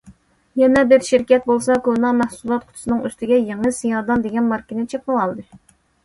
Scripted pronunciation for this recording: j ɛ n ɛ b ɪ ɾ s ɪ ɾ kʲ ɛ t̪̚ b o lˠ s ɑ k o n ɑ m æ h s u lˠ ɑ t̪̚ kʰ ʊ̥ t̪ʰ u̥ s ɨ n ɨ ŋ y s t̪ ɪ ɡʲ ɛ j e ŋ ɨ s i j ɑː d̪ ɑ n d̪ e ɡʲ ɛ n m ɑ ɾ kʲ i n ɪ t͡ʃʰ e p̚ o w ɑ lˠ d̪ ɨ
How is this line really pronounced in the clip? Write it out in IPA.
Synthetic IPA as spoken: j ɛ n ɛ b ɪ ɾ ʃ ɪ ɾ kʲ ɛ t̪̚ b o lˠ s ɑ k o n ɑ m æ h s u lˠ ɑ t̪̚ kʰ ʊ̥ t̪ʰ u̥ s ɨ n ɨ ŋ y s t̪ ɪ ɡʲ ɛ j e ŋ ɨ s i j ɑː d̪ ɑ n d̪ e ɡʲ ɛ n m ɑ ɾ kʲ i n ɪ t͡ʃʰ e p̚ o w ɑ lˠ d̪ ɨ